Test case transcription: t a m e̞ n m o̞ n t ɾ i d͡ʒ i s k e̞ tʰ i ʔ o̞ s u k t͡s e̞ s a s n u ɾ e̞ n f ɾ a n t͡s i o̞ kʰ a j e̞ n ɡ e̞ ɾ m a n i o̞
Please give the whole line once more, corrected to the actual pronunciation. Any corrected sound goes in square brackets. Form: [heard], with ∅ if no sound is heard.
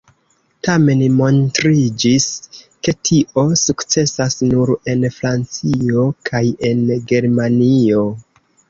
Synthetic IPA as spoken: t a m e̞ n m o̞ n t ɾ i d͡ʒ i s k e̞ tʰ i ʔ o̞ s u k t͡s e̞ s a s n u ɾ e̞ n f ɾ a n t͡s i o̞ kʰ a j e̞ n ɡ e̞ ɾ m a n i o̞